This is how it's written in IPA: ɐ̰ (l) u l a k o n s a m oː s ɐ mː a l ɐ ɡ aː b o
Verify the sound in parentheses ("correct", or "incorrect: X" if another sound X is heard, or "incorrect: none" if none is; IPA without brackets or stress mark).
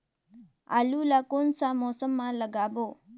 correct